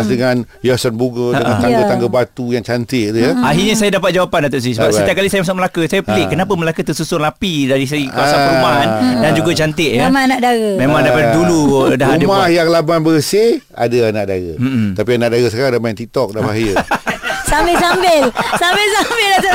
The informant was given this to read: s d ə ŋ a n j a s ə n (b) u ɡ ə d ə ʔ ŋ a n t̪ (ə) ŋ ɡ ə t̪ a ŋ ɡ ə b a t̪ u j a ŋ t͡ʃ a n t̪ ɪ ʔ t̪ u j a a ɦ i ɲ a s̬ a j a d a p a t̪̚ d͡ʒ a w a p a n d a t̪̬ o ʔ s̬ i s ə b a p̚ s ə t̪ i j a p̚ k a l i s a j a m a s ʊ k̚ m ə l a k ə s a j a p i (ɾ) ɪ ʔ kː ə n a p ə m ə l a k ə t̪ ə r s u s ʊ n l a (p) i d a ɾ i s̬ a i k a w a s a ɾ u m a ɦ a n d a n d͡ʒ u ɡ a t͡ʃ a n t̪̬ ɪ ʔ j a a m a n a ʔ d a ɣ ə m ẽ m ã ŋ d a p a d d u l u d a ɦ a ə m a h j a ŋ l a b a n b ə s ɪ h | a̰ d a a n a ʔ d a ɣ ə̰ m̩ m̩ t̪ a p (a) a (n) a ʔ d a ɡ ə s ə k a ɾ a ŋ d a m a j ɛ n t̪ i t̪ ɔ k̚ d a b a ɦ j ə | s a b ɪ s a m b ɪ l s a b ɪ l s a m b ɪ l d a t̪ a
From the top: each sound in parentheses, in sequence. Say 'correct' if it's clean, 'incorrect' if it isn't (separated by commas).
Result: correct, incorrect, incorrect, correct, incorrect, correct